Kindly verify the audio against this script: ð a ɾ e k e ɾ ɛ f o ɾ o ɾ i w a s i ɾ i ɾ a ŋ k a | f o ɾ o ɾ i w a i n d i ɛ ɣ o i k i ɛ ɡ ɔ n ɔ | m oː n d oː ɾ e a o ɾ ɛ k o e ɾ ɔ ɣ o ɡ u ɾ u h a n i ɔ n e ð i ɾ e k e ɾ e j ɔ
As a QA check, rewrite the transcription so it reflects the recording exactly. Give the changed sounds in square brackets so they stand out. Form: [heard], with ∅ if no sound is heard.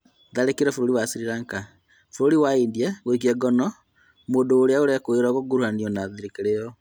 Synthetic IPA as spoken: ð a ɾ e k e ɾ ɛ f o ɾ o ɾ i w a s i ɾ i ɾ a ŋ k a | f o ɾ o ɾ i w a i n d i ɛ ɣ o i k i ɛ ɡ ɔ n ɔ | m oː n d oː ɾ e a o ɾ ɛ k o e ɾ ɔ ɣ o ɡ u ɾ u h a n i ɔ n [a] ð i ɾ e k e ɾ e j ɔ